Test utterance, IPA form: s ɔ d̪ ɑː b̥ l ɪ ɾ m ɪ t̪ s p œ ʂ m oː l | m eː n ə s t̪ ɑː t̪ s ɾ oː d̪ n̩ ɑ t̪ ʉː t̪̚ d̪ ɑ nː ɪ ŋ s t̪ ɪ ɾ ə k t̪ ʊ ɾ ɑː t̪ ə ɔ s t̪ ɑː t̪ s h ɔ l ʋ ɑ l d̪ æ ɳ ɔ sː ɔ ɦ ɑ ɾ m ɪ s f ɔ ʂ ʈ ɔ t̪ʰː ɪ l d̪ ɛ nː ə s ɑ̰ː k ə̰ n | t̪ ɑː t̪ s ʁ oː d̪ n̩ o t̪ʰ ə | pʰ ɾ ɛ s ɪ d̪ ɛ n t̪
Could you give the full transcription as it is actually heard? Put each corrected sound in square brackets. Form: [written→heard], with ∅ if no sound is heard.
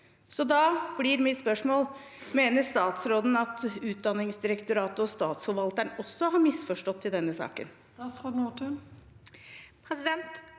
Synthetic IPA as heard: s ɔ d̪ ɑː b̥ l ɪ ɾ m ɪ t̪ s p œ ʂ m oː l | m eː n ə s t̪ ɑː t̪ s ɾ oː d̪ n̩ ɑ t̪ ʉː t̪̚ d̪ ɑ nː ɪ ŋ s [t̪→d̪] ɪ ɾ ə k t̪ ʊ ɾ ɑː t̪ ə ɔ s t̪ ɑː t̪ s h ɔ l ʋ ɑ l [d̪→t̪] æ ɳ ɔ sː ɔ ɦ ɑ ɾ m ɪ s f ɔ ʂ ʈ ɔ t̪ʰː ɪ l d̪ ɛ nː ə s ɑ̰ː k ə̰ n | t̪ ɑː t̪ s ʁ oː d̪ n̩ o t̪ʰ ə | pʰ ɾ ɛ s ɪ d̪ ɛ n t̪